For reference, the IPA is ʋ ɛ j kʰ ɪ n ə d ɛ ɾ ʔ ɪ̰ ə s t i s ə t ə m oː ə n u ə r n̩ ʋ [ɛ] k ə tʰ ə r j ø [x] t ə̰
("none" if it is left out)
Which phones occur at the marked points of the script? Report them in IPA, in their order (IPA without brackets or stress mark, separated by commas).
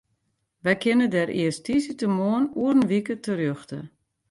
i, x